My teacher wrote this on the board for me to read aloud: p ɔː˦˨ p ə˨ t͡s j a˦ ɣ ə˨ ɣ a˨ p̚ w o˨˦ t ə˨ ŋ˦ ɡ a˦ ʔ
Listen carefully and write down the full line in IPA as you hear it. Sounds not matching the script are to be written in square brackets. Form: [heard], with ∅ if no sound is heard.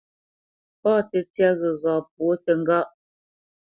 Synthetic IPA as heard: p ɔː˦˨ [t] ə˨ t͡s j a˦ ɣ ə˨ ɣ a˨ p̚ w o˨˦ t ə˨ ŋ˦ ɡ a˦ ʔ

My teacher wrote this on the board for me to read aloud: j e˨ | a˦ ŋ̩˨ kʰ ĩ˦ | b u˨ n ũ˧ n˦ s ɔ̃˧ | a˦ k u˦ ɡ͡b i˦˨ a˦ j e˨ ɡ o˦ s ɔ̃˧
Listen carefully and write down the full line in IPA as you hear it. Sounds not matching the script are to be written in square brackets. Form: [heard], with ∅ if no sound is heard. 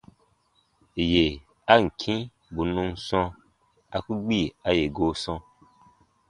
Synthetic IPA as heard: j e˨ | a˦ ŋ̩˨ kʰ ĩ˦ | b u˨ n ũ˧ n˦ s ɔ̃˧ | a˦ k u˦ ɡ͡b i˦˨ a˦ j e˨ ɡ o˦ s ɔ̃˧

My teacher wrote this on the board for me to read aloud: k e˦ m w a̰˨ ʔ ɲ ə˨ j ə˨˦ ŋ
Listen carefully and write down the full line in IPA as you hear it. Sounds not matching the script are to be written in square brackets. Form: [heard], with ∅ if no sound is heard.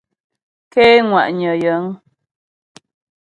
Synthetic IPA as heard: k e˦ [ŋ] w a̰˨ ʔ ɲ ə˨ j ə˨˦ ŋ

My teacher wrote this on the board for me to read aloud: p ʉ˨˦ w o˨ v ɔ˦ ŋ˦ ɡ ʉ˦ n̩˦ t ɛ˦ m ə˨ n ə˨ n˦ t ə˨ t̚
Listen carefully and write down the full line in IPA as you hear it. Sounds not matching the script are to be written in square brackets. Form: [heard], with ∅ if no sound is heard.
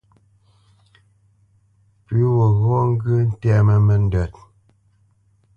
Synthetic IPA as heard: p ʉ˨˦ w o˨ [ɣ] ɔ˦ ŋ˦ ɡ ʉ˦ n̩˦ t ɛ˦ m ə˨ [m] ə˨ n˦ [d] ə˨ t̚

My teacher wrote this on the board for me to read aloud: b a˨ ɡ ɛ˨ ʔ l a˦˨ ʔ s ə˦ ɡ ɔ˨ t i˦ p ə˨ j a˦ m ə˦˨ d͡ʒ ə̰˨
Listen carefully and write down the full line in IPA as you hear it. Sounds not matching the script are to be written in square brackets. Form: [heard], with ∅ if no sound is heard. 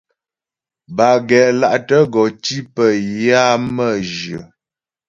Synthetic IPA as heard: b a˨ ɡ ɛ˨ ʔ l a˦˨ ʔ [t] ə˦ ɡ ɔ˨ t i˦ p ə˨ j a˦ m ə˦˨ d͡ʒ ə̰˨

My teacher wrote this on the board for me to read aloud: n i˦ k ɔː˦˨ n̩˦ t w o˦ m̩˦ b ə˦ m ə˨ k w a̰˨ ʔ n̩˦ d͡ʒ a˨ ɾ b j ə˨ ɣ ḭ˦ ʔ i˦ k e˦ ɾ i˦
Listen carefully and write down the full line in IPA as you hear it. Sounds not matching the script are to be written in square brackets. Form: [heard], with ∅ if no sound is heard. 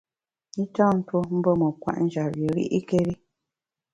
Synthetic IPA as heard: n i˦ [t] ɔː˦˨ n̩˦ t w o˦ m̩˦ b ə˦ m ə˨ k w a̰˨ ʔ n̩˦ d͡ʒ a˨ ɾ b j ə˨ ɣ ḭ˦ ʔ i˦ k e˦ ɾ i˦

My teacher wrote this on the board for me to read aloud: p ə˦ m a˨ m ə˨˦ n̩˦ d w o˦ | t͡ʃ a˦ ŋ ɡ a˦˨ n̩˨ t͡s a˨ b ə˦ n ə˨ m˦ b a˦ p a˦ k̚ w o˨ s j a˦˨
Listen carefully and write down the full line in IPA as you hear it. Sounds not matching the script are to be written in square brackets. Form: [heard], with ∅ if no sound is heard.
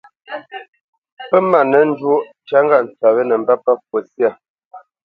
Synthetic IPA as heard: p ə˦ m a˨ [n] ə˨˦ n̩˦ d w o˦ | t͡ʃ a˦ ŋ ɡ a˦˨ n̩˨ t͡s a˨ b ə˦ n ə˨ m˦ b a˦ p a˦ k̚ w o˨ s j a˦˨

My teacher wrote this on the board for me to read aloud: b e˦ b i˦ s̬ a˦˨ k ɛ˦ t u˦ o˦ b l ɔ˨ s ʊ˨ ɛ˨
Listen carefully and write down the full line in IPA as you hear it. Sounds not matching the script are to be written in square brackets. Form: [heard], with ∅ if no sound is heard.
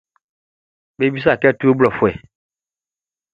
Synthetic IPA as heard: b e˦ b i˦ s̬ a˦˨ k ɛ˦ t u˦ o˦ b l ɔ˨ [f] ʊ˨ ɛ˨

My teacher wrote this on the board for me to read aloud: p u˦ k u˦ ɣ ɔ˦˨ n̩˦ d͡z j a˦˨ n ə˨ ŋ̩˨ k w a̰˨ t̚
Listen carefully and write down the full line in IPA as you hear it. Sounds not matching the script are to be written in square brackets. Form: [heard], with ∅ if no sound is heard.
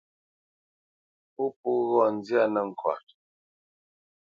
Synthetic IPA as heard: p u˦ [p] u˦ ɣ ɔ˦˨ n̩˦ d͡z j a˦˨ n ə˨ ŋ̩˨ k w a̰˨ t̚

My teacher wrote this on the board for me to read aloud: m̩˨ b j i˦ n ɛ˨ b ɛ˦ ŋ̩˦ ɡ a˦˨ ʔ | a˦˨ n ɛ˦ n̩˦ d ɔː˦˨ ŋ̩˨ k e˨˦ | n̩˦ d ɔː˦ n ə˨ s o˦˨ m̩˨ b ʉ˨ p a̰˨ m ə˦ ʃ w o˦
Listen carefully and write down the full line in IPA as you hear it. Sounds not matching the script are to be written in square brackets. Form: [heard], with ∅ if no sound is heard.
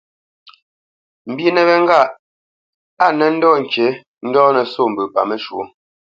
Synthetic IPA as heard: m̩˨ b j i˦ n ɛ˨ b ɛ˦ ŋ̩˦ ɡ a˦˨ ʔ | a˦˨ n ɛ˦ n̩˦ d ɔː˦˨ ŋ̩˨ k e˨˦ | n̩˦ d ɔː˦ n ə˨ s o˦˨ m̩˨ b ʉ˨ p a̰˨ m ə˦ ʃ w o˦

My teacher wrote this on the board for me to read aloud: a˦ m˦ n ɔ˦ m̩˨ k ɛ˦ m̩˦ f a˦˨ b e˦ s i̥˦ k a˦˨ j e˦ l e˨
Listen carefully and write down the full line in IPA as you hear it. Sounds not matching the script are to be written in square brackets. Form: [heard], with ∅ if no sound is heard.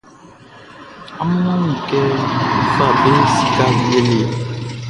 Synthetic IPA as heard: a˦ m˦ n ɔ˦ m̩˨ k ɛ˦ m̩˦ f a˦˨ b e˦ s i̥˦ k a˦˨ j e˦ l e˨

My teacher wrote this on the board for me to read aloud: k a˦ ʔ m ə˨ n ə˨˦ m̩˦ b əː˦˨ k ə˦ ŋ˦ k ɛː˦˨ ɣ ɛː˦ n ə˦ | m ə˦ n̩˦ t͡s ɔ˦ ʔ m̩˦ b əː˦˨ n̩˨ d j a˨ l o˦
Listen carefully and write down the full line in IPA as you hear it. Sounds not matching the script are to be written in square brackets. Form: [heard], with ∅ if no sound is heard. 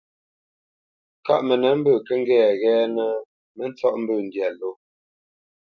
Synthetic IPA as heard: k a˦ ʔ m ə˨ n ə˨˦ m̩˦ b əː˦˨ k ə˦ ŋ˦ [ɡ] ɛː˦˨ ɣ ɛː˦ n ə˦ | m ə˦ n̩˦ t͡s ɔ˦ ʔ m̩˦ b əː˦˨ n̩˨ d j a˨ l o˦

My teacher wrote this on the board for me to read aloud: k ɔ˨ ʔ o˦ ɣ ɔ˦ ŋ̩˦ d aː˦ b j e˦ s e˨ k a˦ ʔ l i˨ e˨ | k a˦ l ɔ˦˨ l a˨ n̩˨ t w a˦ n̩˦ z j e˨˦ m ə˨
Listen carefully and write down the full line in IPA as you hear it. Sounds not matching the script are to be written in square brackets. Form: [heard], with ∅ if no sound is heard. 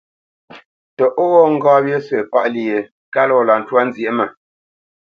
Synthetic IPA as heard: [t] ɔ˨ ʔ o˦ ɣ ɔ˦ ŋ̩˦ [ɡ] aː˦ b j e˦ s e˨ [p] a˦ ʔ l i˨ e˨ | k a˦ l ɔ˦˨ l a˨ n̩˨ t w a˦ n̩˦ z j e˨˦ m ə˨

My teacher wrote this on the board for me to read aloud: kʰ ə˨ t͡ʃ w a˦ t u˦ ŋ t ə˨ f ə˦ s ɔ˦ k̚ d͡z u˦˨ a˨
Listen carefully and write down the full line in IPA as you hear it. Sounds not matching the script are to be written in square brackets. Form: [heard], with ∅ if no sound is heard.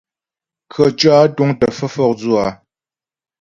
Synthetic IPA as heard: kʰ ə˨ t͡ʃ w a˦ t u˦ ŋ t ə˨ f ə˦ [f] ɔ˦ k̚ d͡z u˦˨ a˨

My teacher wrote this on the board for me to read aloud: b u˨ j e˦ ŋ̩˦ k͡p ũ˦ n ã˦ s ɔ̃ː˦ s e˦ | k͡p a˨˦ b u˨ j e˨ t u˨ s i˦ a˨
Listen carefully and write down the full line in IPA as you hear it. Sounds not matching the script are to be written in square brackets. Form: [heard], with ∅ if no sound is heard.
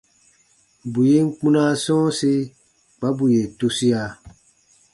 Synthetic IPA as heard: b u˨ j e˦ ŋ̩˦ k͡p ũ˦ n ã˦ s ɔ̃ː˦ s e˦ | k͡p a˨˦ b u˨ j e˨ t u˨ s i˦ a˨

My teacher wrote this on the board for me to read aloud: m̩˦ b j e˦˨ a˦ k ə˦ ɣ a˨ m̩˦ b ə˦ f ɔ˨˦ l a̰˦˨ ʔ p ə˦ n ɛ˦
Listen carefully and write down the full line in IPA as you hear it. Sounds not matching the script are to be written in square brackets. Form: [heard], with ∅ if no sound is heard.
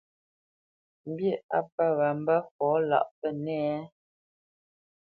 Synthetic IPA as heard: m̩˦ b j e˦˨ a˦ [p] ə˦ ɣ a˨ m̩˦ b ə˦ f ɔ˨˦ l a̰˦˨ ʔ p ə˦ n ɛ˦

